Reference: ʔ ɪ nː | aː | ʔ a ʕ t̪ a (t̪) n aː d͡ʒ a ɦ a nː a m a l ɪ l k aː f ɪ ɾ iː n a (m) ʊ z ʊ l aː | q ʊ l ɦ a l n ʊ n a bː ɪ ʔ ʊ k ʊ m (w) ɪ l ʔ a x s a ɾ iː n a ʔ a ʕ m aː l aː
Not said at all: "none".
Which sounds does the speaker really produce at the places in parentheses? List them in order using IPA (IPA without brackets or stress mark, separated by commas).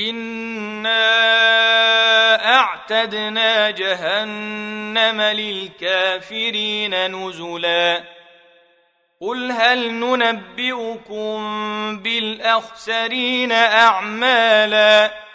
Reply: d̪, n, b